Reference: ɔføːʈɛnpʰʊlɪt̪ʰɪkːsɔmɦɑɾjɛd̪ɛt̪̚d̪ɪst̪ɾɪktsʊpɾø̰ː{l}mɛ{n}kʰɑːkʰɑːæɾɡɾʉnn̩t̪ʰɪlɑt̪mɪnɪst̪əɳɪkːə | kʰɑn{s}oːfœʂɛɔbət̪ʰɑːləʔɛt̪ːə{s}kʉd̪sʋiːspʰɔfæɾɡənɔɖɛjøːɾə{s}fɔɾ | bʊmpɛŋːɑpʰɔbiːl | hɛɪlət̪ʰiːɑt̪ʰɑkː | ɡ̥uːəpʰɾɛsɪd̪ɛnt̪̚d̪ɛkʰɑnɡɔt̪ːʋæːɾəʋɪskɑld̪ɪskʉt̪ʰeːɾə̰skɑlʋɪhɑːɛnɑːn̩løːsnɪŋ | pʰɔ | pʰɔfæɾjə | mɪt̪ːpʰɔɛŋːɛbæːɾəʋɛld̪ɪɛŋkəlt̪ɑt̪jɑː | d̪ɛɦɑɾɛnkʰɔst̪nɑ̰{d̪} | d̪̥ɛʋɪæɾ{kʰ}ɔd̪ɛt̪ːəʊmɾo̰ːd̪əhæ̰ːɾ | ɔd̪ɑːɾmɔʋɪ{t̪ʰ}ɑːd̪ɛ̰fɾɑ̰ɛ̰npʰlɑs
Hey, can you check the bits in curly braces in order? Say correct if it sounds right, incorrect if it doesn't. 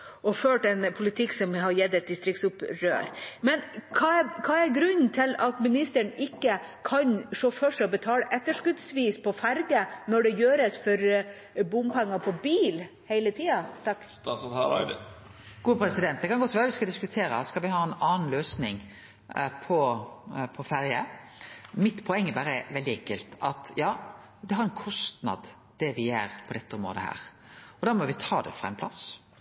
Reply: incorrect, correct, incorrect, incorrect, correct, correct, incorrect, correct

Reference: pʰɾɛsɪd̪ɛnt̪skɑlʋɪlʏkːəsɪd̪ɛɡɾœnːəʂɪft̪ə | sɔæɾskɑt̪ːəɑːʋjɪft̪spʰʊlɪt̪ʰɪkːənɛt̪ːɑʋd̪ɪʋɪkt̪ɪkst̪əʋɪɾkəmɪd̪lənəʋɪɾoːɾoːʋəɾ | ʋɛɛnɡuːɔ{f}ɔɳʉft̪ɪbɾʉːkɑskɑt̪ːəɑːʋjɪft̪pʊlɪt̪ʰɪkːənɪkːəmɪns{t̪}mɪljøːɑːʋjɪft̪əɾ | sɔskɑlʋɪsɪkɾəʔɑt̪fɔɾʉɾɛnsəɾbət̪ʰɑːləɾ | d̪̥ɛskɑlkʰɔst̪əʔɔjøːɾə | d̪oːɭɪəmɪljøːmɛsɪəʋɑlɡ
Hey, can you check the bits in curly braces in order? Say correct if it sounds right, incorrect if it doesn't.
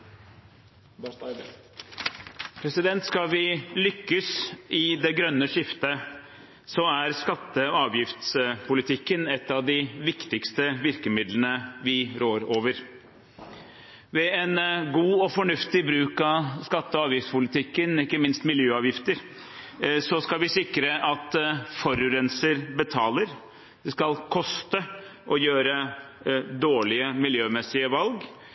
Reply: correct, correct

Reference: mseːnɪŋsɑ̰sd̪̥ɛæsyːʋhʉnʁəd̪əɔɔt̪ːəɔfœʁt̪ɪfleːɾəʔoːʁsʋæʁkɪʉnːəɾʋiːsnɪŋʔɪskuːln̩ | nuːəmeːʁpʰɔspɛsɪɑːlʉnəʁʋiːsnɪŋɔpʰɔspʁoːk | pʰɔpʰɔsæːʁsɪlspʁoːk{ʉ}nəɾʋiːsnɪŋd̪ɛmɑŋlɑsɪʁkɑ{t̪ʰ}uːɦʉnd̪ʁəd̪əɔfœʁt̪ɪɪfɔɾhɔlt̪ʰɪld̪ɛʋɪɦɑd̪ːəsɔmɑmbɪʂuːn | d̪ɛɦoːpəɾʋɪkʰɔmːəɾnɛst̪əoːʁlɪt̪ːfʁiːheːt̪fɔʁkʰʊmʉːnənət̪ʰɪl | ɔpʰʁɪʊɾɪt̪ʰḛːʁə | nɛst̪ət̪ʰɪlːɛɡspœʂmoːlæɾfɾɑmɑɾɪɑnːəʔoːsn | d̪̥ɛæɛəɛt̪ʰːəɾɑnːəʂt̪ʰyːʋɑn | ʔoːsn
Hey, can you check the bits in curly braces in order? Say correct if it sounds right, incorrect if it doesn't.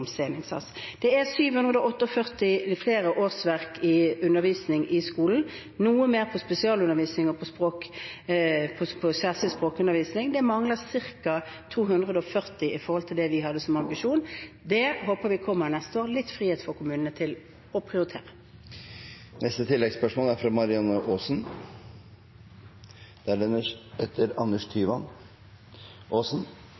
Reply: correct, correct

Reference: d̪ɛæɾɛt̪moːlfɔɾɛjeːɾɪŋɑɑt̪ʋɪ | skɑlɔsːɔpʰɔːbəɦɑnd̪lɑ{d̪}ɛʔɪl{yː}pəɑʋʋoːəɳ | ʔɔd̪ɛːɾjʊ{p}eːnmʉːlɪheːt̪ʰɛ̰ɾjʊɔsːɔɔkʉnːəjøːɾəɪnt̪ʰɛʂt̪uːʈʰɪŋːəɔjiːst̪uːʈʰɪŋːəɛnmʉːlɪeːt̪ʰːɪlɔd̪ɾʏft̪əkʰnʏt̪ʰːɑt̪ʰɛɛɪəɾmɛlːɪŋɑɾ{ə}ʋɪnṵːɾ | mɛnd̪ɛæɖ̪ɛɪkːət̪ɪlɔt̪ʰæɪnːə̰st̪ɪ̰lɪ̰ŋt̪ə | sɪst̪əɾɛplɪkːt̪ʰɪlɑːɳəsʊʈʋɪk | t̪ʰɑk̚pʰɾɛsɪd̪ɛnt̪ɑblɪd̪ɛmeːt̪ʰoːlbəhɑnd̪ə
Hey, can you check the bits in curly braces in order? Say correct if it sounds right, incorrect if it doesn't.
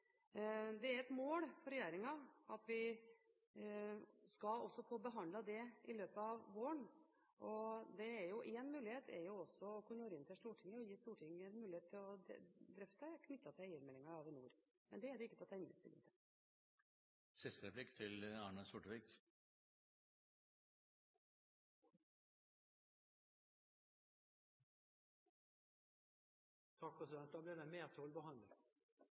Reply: correct, incorrect, incorrect, incorrect

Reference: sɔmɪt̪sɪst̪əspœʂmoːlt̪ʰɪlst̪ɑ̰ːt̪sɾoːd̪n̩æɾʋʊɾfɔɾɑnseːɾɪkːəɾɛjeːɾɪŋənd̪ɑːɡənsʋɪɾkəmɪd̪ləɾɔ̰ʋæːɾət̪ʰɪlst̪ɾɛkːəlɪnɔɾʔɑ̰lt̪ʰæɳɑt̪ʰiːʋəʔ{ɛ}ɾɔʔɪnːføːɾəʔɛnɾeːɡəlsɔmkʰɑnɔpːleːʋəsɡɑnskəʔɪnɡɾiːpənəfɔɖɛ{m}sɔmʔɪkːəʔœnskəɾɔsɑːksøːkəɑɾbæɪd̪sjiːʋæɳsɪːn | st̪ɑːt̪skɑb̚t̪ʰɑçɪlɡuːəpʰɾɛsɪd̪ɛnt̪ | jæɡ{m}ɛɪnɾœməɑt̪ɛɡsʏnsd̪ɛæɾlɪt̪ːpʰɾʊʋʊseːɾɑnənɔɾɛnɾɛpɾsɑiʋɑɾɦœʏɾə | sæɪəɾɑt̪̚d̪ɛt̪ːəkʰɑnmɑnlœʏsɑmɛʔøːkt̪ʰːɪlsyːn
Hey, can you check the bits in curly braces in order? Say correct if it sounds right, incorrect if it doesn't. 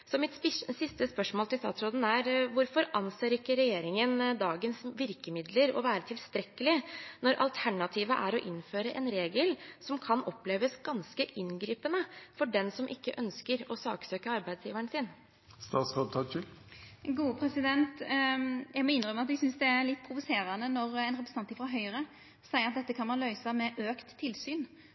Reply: incorrect, incorrect, correct

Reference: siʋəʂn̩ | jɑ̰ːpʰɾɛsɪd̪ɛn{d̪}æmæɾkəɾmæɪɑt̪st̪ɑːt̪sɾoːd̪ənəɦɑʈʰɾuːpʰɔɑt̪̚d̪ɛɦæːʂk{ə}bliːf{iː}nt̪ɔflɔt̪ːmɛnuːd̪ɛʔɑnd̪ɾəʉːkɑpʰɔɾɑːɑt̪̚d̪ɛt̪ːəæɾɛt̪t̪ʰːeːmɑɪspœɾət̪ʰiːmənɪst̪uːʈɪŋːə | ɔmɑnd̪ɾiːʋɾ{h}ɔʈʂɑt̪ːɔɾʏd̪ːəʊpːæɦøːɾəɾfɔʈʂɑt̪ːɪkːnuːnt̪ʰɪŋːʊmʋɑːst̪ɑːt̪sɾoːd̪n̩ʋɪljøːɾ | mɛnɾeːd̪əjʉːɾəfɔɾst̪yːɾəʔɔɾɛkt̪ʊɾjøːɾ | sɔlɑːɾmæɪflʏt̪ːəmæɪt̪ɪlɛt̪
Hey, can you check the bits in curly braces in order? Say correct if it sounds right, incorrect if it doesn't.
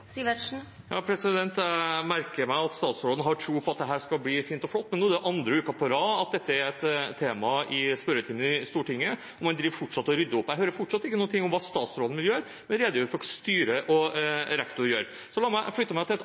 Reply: incorrect, incorrect, correct, incorrect

